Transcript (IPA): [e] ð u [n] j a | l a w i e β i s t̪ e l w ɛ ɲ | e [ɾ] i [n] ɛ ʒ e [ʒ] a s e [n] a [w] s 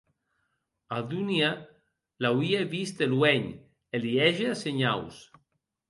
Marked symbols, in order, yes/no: no, yes, no, no, no, no, yes

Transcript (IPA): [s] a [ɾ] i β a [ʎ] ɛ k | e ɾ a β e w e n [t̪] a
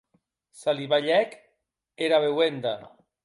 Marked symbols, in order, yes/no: yes, no, yes, no

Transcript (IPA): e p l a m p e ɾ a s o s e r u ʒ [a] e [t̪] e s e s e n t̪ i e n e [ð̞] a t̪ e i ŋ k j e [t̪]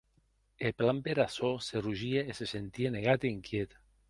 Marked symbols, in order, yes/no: no, no, no, yes

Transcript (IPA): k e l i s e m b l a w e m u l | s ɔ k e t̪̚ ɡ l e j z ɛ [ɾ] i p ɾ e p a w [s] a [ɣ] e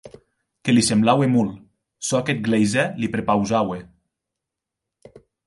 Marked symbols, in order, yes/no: no, no, no

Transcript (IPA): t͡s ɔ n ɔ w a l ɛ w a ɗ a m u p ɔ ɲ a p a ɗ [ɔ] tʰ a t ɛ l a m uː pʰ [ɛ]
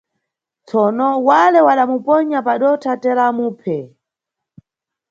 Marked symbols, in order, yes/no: yes, yes

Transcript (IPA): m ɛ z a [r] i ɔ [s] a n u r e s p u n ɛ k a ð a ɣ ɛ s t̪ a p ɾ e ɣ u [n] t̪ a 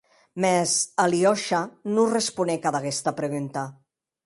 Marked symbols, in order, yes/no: no, no, yes

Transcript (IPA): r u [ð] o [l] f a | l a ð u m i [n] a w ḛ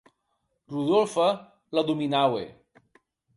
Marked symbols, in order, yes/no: yes, yes, yes

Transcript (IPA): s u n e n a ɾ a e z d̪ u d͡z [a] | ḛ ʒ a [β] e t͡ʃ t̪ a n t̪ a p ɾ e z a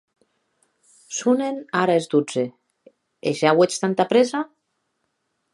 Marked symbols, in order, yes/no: no, no

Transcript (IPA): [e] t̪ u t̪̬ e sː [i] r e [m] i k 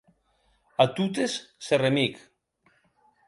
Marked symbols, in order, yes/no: no, no, yes

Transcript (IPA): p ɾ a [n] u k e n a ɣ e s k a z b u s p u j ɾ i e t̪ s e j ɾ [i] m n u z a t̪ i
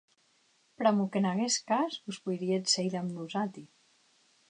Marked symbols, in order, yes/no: no, no

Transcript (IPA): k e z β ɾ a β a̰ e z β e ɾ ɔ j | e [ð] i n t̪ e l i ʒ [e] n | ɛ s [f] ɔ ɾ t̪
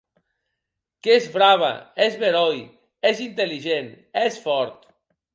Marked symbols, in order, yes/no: no, yes, yes

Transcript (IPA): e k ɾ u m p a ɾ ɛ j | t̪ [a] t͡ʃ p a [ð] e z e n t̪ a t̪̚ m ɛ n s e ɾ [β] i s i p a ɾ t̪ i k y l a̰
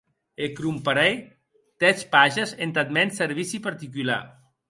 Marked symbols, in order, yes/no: no, no, yes

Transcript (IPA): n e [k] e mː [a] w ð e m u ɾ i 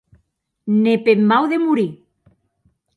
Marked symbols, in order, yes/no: no, yes

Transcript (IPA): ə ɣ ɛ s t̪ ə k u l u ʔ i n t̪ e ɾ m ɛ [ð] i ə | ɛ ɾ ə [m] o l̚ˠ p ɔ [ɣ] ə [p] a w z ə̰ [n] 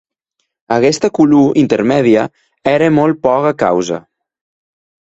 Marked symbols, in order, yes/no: yes, yes, yes, no, no

